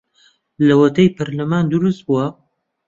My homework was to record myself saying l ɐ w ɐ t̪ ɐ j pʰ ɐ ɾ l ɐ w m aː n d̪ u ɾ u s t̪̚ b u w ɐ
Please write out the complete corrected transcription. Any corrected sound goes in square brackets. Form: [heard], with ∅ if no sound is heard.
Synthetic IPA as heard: l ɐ w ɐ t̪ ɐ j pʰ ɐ ɾ l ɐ [∅] m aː n d̪ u ɾ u s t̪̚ b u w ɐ